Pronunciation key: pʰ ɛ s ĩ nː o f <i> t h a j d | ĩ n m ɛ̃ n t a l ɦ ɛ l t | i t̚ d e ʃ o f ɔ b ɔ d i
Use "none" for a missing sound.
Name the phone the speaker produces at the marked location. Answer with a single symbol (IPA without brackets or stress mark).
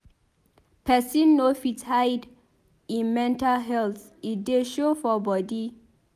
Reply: i